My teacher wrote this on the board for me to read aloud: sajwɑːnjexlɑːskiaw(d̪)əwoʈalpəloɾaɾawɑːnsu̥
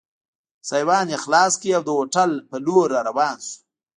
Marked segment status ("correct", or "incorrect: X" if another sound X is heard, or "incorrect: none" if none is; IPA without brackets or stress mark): correct